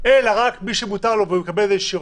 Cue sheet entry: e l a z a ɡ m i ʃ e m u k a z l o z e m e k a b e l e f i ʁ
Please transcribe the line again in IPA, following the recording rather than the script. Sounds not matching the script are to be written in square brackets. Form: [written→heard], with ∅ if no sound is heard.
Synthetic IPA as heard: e l a [z→ʁ] a [ɡ→k] m i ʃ e m u [k→t] a [z→ʁ] l o [z→v] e m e k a b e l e [f→ʃ] i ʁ